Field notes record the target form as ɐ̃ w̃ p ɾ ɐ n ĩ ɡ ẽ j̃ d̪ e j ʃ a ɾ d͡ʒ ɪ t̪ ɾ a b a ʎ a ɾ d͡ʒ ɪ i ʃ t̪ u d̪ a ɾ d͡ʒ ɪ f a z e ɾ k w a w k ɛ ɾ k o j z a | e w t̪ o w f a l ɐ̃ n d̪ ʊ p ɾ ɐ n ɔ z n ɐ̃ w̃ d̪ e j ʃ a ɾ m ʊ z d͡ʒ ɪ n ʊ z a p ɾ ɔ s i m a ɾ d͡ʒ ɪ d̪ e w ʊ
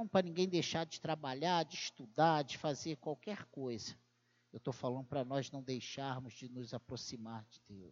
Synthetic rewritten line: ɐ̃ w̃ p ɾ ɐ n ĩ ɡ ẽ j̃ d̪ e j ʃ a ɾ d͡ʒ ɪ t̪ ɾ a b a ʎ a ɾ d͡ʒ ɪ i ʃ t̪ u d̪ a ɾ d͡ʒ ɪ f a z e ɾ k w a w k ɛ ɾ k o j z ɐ | e w t̪ o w f a l ɐ̃ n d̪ ʊ p ɾ ɐ n ɔ z n ɐ̃ w̃ d̪ e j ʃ a ɾ m ʊ z d͡ʒ ɪ n ʊ z a p ɾ o s i m a ɾ d͡ʒ ɪ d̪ e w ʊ